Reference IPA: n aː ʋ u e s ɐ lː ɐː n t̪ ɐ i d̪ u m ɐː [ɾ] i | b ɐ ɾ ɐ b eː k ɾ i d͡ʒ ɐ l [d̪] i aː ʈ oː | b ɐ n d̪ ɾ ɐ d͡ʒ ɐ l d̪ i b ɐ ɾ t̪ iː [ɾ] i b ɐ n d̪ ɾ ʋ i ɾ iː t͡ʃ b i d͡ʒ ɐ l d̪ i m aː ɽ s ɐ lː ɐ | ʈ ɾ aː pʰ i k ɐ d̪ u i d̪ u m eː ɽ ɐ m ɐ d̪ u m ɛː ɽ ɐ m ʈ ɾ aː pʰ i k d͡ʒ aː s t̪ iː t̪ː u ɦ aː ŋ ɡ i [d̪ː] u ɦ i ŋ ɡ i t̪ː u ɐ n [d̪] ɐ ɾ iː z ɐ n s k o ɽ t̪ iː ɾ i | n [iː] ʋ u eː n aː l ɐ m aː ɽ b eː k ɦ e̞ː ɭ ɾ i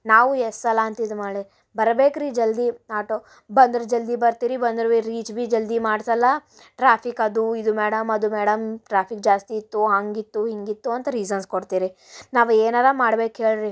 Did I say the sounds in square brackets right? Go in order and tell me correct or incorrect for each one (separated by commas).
incorrect, correct, correct, incorrect, incorrect, incorrect